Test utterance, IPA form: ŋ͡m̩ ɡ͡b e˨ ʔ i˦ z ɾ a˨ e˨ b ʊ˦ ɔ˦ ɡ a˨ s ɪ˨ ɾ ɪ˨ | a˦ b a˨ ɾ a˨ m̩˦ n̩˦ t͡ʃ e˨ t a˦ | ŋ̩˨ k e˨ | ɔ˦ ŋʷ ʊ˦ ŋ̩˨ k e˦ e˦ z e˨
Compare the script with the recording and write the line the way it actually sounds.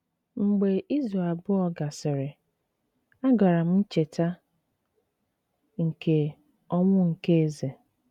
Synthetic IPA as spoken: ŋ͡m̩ ɡ͡b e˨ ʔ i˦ z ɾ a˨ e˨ b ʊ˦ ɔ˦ ɡ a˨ s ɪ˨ ɾ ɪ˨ | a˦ ɡ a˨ ɾ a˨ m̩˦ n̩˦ t͡ʃ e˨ t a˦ | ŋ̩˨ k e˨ | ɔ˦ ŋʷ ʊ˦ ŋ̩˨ k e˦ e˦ z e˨

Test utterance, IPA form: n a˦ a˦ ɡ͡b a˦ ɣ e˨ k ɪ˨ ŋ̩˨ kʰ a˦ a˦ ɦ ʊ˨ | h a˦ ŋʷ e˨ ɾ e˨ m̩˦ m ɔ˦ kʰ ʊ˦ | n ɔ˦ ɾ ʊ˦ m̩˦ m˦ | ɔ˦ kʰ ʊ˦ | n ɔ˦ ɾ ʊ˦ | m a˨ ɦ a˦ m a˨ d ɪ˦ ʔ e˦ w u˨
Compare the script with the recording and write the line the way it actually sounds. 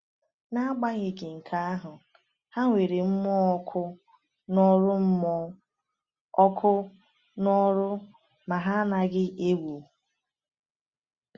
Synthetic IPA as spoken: n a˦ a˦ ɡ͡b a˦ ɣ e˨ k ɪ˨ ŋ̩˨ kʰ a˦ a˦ ɦ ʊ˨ | h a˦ ŋʷ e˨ ɾ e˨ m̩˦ m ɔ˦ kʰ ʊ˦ | n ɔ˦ ɾ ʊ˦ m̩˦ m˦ | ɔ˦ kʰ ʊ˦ | n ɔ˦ ɾ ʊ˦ | m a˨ ɦ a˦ n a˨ ɡ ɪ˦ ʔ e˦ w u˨

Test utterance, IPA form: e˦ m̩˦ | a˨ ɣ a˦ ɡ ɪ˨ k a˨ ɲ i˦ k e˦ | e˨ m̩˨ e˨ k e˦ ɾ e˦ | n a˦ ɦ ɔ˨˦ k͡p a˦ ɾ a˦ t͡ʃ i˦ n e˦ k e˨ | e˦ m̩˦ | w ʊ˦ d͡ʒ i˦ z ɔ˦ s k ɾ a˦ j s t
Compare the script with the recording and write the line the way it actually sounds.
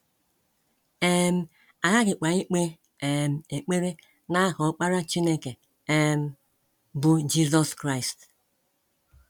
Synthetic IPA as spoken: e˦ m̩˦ | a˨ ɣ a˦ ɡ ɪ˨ k͡p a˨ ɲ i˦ k͡p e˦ | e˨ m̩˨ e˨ k͡p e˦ ɾ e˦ | n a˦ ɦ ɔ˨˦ k͡p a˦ ɾ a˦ t͡ʃ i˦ n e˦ k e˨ | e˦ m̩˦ | b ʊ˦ d͡ʒ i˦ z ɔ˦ s k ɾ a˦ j s t

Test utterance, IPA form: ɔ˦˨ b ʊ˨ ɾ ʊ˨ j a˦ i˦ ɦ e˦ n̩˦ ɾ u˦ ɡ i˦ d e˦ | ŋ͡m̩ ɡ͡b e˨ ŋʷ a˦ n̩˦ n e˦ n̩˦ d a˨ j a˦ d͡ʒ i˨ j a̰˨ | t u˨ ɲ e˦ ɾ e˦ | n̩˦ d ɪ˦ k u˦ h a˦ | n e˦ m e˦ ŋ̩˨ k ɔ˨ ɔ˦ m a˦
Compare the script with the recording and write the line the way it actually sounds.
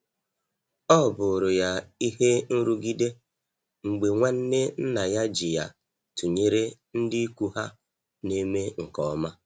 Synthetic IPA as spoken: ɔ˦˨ b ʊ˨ ɾ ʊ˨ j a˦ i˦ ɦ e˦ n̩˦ ɾ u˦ ɡ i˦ d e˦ | ŋ͡m̩ ɡ͡b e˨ ŋʷ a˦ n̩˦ n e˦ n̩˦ n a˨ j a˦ d͡ʒ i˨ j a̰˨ | t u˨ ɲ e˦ ɾ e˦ | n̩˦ d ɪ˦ k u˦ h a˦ | n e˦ m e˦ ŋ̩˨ k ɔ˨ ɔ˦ m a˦

